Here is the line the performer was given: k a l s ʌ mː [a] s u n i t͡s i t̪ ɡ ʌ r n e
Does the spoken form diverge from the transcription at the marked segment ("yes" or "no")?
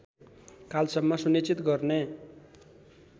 yes